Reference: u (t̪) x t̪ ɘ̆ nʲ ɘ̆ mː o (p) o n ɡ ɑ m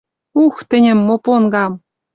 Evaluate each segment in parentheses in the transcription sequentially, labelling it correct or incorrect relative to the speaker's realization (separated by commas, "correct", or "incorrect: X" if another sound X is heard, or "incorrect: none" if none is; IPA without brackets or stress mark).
incorrect: none, correct